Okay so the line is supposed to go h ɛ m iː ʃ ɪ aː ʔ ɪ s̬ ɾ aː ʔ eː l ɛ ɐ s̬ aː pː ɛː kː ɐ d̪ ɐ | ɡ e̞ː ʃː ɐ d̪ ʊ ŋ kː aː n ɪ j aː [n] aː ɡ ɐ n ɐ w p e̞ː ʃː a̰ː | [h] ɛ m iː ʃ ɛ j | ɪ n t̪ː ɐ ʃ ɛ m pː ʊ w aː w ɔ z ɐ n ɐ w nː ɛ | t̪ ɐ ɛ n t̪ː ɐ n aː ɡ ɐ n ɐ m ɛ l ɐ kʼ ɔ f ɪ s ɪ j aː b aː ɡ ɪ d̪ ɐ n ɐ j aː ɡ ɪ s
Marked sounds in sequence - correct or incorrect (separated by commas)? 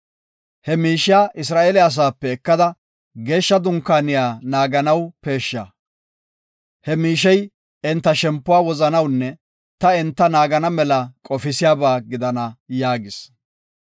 correct, correct